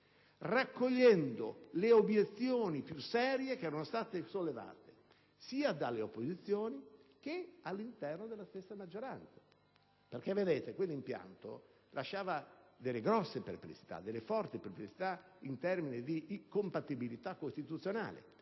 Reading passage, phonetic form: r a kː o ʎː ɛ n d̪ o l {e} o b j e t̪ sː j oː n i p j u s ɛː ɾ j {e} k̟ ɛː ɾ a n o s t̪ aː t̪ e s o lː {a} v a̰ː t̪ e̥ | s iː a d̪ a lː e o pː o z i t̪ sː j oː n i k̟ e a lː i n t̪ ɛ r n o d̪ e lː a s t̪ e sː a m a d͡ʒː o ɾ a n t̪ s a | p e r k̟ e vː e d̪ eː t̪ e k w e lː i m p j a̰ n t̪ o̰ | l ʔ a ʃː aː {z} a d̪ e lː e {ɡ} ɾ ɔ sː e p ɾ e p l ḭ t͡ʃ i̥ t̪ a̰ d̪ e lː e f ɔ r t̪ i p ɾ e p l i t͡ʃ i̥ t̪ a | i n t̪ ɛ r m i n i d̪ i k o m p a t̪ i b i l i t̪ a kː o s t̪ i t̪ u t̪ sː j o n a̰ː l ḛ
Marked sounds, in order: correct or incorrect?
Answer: correct, correct, incorrect, incorrect, correct

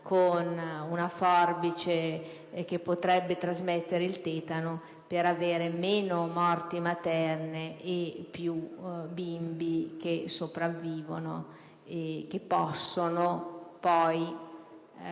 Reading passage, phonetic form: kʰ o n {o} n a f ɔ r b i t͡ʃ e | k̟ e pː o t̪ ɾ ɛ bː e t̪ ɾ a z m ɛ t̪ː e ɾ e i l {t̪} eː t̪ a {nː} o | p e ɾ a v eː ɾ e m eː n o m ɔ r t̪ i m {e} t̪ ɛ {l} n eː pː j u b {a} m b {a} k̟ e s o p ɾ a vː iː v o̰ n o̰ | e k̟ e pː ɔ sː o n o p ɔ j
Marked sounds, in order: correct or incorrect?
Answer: incorrect, correct, incorrect, incorrect, incorrect, incorrect, incorrect

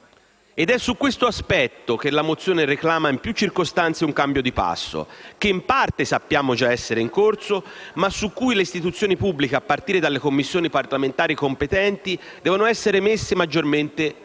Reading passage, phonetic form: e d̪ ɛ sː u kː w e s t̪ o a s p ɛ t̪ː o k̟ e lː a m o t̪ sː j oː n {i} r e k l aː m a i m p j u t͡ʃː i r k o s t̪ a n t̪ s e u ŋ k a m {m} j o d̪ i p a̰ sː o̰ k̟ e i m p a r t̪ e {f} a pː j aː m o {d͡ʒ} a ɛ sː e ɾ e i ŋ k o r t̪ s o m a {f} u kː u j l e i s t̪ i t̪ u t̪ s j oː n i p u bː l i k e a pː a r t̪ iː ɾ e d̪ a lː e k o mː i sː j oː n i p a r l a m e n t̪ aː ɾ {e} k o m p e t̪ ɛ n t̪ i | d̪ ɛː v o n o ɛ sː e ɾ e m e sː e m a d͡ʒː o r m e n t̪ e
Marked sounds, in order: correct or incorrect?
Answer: incorrect, incorrect, incorrect, correct, incorrect, incorrect

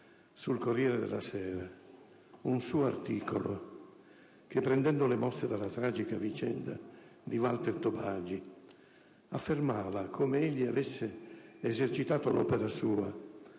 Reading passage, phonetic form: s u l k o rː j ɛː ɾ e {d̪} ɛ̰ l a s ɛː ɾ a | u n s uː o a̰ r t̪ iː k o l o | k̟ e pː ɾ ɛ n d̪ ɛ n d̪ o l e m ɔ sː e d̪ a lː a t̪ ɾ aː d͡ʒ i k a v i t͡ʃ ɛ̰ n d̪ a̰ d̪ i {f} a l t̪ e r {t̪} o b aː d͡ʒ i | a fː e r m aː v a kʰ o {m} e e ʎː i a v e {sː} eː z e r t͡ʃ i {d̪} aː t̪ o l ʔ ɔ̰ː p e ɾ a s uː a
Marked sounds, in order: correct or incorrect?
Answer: correct, incorrect, correct, correct, correct, incorrect

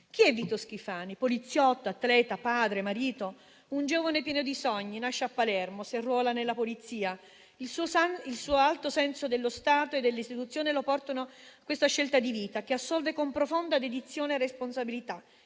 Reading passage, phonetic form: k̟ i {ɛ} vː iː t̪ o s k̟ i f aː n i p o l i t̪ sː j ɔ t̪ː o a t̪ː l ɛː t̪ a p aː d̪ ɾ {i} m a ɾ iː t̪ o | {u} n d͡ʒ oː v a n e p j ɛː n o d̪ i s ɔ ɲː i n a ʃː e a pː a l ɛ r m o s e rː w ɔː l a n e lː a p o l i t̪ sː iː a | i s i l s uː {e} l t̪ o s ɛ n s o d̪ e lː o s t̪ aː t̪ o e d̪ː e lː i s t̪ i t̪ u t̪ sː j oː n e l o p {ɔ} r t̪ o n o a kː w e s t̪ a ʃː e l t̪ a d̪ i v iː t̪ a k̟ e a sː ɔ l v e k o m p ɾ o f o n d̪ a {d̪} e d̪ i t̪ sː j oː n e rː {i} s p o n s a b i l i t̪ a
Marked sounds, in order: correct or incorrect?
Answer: correct, incorrect, correct, incorrect, correct, correct, incorrect

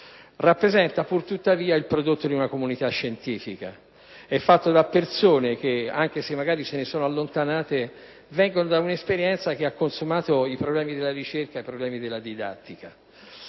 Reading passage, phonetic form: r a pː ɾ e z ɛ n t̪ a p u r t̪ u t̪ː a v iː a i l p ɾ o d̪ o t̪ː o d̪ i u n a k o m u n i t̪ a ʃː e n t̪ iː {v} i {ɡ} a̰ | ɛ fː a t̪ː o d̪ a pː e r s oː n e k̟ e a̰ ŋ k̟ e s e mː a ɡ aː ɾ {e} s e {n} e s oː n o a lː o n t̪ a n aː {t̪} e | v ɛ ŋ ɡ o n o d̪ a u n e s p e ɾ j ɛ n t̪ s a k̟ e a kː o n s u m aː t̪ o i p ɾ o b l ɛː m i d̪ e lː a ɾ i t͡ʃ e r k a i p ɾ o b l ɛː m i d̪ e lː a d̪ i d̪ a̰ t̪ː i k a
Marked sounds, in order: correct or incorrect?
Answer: incorrect, incorrect, incorrect, correct, correct

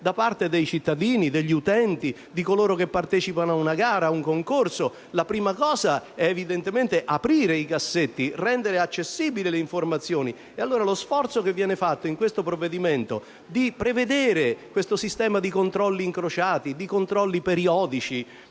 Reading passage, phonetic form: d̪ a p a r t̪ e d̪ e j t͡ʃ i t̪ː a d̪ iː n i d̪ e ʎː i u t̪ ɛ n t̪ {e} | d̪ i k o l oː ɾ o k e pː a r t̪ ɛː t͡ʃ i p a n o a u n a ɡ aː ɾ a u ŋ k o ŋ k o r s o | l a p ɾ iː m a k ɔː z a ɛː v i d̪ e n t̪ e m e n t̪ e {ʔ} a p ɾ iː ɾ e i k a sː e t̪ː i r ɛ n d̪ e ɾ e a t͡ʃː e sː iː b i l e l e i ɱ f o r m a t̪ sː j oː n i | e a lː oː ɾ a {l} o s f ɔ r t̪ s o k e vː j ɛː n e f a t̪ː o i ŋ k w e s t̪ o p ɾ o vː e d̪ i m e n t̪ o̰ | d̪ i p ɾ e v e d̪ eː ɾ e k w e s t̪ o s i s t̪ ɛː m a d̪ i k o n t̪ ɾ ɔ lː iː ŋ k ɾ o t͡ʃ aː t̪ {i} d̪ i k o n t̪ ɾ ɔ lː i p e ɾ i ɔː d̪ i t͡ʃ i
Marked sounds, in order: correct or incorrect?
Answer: incorrect, correct, correct, correct

